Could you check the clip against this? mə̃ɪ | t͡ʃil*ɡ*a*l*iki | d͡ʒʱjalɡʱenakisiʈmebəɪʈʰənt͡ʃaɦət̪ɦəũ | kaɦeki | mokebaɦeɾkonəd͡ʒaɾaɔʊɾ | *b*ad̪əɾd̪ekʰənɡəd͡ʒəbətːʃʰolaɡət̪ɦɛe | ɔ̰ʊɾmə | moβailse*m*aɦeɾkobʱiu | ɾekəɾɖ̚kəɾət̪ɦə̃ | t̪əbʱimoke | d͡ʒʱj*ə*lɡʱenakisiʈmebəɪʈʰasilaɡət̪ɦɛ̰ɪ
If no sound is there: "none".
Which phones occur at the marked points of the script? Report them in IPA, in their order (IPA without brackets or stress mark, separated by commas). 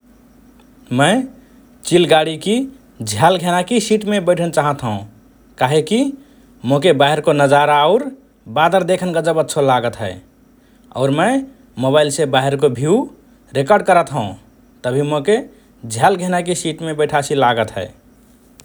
ɡ, ɽ, b, b, a